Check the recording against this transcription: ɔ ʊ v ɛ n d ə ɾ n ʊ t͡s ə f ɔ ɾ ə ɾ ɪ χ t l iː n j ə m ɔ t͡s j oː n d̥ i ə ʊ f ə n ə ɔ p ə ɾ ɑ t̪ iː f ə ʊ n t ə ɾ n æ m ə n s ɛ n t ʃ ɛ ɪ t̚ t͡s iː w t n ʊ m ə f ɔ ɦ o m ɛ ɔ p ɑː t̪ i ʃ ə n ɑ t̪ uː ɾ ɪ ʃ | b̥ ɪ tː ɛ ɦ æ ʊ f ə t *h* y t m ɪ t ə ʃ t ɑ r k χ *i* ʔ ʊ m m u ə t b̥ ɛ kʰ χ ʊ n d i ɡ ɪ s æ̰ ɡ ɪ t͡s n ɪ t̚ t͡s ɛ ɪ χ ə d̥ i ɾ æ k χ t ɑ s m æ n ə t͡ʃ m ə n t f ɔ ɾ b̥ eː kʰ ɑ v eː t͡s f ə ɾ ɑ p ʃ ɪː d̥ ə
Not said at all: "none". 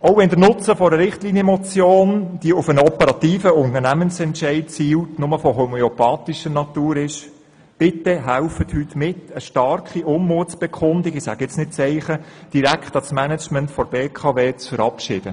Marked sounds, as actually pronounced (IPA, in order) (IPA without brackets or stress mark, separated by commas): h, i